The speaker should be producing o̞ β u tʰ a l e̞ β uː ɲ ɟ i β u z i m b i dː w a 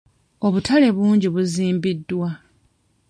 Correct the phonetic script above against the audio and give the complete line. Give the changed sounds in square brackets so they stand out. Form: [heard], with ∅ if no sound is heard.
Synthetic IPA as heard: o̞ β u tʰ a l e̞ β uː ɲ ɟ i β u z [iː] m b i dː w a